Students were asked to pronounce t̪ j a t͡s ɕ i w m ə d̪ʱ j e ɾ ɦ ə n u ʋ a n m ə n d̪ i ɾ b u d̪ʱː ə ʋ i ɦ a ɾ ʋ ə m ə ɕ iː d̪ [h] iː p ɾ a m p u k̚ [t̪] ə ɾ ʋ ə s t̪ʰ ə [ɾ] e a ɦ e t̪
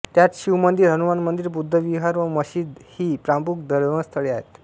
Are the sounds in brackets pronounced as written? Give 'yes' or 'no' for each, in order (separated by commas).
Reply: yes, no, no